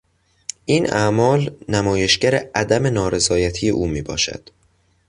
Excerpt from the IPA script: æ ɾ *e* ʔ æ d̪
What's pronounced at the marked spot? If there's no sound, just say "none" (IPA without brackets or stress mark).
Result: e